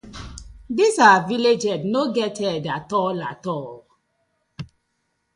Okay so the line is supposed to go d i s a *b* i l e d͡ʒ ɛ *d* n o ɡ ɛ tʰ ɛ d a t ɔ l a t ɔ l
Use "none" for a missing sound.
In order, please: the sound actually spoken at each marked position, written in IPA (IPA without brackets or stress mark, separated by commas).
v, d